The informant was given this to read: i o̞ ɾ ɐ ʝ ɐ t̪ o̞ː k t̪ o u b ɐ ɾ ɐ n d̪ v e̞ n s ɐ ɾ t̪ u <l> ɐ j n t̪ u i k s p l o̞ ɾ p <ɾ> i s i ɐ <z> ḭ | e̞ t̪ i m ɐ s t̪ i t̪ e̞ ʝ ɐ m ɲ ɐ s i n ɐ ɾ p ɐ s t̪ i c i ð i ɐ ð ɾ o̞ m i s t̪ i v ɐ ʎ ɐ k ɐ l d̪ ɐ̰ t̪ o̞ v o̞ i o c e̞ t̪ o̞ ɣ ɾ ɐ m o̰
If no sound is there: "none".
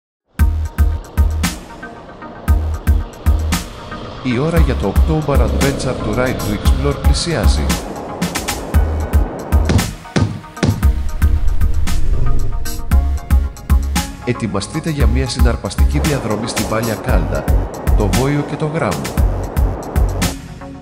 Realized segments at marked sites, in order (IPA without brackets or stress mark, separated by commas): ɾ, l, z